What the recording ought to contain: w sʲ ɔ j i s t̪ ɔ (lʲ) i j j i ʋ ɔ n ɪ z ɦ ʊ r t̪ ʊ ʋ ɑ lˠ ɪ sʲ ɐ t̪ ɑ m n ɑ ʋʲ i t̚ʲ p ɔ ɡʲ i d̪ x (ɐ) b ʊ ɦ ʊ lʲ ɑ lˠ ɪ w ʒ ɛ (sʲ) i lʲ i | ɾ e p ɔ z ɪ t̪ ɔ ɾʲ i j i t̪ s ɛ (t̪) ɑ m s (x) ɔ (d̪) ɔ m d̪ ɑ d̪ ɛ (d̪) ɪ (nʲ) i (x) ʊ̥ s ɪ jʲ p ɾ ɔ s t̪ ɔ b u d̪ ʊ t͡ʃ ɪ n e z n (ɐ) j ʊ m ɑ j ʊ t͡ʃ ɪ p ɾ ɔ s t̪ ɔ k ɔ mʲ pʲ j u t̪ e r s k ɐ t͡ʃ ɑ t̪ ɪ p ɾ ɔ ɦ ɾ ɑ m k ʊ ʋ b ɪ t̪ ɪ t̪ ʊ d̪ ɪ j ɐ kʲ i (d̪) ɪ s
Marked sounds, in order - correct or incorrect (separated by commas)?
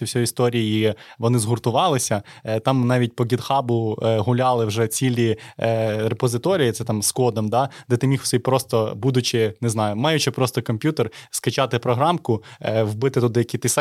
incorrect, incorrect, incorrect, correct, incorrect, correct, incorrect, incorrect, correct, incorrect, incorrect